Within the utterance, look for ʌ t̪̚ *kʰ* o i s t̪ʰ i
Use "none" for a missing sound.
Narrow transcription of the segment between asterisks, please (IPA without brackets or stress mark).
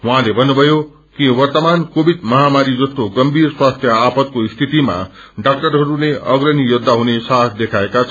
k